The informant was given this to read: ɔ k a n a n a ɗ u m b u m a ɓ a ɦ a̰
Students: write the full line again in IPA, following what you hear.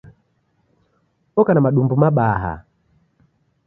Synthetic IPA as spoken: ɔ k a n a m a ɗ u m b u m a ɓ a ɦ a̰